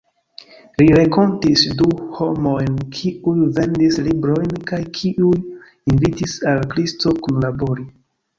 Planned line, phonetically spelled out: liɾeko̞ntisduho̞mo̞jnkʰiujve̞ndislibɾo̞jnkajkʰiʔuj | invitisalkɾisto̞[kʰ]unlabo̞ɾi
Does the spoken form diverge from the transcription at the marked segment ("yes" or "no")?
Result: yes